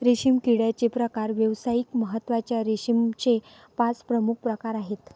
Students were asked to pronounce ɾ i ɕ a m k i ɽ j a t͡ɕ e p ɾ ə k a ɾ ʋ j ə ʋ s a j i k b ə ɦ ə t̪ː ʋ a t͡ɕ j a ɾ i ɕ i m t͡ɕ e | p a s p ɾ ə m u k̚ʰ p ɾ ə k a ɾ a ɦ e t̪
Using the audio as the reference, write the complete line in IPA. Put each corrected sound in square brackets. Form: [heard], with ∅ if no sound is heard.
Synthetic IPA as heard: ɾ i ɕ [i] m k i ɽ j a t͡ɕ e p ɾ ə k a ɾ ʋ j ə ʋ s a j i k [m] ə ɦ ə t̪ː ʋ a t͡ɕ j a ɾ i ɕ i m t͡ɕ e | p a [t͡s] p ɾ ə m u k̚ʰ p ɾ ə k a ɾ a ɦ e t̪